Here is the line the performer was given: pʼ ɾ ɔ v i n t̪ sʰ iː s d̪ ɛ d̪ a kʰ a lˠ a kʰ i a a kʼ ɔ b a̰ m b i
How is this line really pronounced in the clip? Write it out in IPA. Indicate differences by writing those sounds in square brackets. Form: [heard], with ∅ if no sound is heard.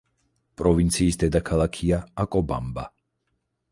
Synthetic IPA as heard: pʼ ɾ ɔ v i n t̪ sʰ iː s d̪ ɛ d̪ a kʰ a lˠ a kʰ i a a kʼ ɔ b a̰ m b [a]